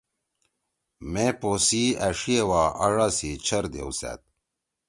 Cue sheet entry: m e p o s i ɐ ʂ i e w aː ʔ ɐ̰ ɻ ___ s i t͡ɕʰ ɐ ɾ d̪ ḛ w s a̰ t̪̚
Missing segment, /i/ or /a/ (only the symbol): a